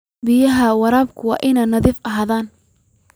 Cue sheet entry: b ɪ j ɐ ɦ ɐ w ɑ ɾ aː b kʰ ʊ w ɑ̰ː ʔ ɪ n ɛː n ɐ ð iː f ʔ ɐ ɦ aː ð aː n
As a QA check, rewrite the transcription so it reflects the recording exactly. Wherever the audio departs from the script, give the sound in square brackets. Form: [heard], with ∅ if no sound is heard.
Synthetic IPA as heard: b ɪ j ɐ ɦ ɐ w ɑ ɾ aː b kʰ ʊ w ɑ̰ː ʔ ɪ n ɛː n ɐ ð iː f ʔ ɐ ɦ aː ð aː n